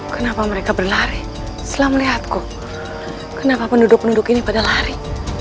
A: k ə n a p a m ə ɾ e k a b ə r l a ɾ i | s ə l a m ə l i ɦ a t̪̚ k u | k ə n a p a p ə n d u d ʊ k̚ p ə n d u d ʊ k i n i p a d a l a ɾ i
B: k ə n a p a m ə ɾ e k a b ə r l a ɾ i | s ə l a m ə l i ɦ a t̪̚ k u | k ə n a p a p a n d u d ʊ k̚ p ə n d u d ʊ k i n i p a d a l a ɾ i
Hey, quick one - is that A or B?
A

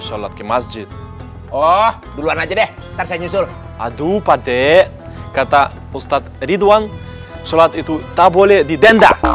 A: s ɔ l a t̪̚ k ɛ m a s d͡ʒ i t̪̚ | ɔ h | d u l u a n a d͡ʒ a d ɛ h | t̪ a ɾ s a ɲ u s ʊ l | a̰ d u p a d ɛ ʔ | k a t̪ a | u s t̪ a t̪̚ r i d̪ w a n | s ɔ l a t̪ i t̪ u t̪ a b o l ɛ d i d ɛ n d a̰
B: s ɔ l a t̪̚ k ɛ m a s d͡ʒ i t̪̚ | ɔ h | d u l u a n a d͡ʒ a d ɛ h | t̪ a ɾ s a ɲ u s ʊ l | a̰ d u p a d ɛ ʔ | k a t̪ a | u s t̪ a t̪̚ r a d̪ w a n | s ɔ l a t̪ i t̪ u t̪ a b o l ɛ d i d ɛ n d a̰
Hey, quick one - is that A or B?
A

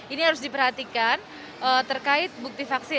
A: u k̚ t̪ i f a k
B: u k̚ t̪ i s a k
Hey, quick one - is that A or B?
A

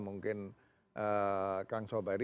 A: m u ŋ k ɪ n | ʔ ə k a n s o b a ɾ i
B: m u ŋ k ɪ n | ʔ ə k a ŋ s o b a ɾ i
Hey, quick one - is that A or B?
B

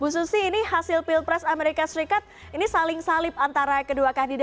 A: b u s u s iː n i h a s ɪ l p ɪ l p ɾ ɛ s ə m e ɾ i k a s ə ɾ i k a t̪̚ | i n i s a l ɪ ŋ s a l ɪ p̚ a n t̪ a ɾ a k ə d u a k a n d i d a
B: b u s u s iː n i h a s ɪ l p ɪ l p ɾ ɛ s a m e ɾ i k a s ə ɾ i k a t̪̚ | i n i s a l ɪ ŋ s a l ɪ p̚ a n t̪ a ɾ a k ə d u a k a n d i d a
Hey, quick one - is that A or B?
B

